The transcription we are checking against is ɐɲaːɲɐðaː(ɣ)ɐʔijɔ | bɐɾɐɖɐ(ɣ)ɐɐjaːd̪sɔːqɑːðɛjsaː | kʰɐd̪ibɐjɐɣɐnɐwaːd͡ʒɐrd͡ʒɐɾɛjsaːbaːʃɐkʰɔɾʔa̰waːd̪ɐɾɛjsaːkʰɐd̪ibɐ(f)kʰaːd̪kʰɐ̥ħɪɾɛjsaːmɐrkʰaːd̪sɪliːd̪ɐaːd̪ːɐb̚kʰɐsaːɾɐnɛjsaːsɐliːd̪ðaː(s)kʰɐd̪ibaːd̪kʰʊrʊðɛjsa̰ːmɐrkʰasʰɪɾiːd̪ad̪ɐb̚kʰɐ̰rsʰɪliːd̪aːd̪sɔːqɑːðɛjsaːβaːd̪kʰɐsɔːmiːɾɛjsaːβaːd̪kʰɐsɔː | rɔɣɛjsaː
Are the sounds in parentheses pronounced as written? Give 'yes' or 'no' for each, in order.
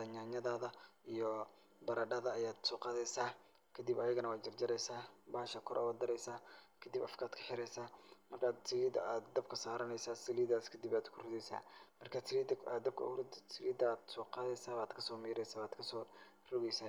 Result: no, no, yes, yes

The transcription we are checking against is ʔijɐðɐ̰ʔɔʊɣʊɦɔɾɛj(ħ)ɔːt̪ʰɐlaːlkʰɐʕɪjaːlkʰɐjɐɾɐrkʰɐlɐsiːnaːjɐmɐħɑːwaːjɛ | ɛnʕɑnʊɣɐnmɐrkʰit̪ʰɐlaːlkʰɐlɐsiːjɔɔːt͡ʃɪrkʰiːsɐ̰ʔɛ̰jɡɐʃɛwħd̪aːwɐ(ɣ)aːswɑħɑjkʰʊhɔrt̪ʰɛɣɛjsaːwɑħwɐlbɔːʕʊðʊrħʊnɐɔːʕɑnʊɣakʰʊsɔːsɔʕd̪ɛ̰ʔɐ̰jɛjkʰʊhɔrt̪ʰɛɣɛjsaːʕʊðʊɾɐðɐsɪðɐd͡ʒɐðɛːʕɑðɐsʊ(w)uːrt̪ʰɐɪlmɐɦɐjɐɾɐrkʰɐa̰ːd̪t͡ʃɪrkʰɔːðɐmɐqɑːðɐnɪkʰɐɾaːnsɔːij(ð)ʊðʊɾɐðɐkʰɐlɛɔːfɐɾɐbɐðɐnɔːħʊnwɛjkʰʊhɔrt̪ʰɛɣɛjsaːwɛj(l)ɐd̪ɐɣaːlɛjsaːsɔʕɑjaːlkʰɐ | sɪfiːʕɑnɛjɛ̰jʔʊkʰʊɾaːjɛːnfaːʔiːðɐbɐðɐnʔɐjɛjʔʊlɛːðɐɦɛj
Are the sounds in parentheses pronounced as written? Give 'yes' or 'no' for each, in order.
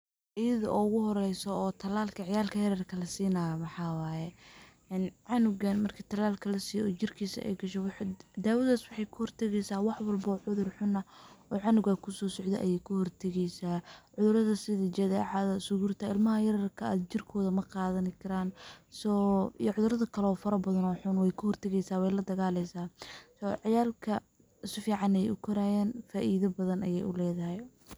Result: no, no, no, no, yes

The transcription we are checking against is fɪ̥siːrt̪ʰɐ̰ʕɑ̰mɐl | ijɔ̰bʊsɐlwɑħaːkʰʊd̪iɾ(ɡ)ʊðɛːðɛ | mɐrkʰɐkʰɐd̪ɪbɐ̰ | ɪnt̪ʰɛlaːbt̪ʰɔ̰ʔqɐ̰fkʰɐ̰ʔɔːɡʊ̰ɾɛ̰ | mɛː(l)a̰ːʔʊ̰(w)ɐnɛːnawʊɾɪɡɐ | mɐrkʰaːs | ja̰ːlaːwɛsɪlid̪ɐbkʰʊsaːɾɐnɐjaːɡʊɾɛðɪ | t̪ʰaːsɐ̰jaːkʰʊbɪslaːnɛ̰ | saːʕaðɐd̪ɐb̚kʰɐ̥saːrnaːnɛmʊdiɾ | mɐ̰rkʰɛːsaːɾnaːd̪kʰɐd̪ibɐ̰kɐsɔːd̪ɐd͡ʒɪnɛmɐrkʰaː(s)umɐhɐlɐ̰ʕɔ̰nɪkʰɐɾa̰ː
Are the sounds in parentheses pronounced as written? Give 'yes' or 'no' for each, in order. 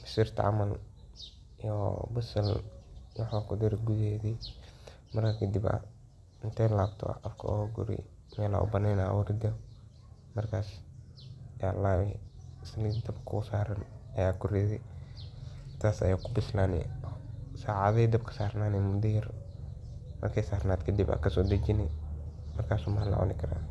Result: yes, yes, no, yes

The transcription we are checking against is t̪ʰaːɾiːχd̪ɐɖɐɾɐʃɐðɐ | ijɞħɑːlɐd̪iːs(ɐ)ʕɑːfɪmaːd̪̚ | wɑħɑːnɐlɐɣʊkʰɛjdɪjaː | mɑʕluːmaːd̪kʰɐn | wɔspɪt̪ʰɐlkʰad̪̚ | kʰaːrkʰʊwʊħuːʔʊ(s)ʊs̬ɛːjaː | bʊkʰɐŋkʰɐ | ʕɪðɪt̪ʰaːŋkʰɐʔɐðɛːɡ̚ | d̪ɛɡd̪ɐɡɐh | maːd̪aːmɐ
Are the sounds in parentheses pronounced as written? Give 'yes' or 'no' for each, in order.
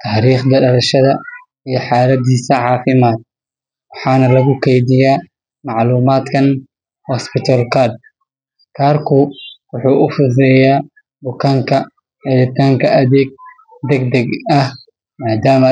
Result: yes, no

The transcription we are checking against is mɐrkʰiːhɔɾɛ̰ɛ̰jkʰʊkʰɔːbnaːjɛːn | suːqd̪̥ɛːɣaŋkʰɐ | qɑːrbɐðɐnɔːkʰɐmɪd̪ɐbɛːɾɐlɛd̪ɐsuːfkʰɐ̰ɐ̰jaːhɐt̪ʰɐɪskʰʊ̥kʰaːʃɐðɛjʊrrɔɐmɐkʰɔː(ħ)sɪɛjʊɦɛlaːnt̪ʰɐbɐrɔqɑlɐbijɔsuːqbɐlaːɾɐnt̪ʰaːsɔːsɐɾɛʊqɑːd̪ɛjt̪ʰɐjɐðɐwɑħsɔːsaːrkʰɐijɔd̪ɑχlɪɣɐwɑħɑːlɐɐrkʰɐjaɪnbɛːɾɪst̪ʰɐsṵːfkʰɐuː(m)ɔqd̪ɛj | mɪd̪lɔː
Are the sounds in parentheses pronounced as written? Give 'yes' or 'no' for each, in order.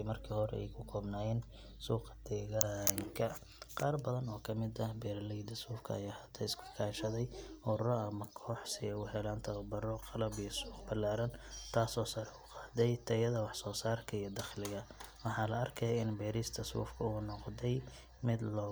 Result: yes, no

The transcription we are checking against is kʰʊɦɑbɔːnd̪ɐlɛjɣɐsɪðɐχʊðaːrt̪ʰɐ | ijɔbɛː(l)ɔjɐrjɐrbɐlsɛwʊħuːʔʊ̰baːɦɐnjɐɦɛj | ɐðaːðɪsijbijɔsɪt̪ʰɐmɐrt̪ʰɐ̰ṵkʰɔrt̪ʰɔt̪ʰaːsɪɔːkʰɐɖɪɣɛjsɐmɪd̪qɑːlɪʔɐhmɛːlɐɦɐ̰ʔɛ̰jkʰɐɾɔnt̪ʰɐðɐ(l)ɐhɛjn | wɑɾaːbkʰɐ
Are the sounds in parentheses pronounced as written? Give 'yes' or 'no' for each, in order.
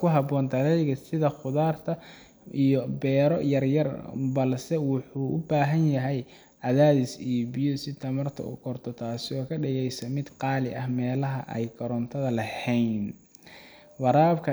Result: no, yes

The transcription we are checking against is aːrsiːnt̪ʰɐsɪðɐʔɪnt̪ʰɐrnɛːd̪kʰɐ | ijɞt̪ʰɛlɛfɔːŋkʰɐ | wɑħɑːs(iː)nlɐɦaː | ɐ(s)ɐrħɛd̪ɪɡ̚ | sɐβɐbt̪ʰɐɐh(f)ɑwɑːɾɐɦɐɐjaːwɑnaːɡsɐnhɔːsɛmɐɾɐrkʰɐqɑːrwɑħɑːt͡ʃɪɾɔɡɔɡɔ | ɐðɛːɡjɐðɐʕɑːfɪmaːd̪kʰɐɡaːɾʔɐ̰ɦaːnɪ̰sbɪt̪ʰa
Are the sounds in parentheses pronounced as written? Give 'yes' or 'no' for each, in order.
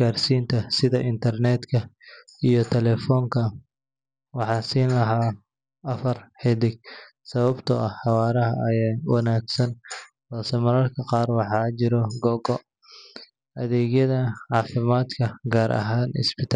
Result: yes, no, no

